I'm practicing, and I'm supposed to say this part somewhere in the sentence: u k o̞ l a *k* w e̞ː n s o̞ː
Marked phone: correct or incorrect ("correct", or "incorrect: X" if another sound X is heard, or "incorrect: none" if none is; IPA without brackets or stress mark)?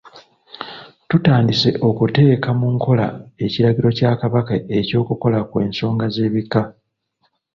correct